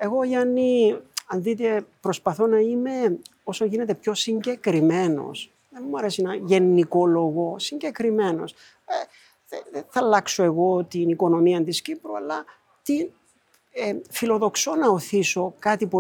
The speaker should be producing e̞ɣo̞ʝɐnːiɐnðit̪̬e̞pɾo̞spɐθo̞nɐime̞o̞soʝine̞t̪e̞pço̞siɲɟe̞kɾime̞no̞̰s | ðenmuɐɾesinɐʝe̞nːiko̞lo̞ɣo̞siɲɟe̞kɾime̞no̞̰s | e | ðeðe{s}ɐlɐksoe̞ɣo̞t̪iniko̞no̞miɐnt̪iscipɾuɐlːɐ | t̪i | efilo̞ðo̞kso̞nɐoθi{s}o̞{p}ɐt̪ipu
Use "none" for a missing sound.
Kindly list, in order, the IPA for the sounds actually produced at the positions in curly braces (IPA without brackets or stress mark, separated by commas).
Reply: θ, s, k